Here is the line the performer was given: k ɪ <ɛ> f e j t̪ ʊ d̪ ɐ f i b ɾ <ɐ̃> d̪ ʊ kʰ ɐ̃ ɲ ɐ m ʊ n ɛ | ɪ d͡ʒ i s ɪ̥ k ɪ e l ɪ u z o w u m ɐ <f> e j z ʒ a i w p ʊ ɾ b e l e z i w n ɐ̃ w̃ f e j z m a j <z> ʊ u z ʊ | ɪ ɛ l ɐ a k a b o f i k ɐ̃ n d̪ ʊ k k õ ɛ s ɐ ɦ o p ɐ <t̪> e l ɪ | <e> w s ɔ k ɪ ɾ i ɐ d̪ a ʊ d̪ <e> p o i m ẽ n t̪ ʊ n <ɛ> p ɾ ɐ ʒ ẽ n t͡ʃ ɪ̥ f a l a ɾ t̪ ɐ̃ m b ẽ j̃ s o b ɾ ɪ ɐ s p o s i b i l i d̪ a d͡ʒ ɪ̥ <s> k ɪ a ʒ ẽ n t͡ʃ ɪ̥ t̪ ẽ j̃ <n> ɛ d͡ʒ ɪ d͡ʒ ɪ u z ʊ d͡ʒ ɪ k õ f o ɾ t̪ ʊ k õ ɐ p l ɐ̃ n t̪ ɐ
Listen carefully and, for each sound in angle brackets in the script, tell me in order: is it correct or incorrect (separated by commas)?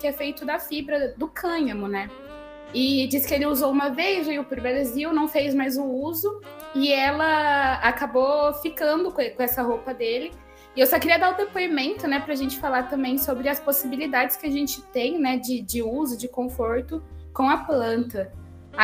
correct, incorrect, incorrect, correct, incorrect, correct, correct, correct, correct, correct